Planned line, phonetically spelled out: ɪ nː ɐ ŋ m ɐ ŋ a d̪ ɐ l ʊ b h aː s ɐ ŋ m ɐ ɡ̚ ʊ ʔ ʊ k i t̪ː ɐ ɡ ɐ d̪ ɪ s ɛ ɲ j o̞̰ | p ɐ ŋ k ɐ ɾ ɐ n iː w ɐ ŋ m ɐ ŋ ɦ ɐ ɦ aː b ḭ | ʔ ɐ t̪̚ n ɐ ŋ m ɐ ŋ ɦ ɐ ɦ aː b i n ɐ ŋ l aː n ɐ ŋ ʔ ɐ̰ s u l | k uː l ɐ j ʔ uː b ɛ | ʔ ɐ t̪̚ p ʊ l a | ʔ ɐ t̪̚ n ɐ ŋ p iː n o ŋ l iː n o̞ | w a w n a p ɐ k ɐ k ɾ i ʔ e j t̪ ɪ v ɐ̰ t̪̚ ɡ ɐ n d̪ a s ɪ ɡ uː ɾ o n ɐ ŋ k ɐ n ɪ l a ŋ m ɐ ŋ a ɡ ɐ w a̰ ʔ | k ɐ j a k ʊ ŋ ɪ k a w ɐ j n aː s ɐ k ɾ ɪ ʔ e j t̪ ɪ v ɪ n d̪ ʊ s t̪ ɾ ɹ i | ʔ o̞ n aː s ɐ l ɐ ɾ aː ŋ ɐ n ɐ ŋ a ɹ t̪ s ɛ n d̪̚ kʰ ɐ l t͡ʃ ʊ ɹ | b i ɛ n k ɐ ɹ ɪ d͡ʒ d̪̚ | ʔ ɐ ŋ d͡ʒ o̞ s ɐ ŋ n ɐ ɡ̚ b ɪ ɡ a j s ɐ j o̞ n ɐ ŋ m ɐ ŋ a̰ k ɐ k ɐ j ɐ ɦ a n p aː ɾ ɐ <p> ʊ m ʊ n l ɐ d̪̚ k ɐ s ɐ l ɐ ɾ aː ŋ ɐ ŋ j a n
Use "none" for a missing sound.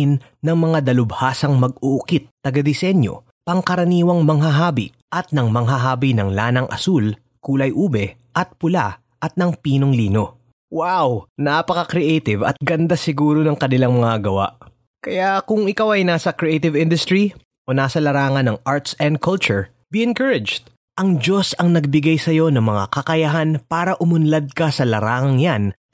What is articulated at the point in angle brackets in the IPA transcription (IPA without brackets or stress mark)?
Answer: ʔ